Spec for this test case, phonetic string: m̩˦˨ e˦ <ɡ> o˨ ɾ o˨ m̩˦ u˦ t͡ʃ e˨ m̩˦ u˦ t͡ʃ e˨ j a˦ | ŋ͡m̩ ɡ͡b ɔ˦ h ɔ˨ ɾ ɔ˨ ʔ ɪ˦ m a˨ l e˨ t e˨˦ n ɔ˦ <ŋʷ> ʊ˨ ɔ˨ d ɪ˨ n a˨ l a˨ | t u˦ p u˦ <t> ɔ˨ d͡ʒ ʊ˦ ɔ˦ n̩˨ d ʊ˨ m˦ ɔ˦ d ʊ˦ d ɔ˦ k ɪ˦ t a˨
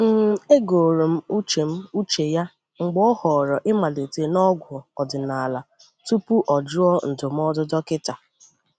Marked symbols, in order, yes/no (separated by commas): yes, no, no